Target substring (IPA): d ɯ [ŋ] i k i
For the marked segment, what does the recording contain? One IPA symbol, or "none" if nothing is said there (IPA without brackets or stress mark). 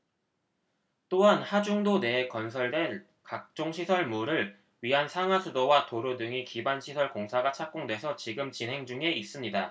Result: ŋ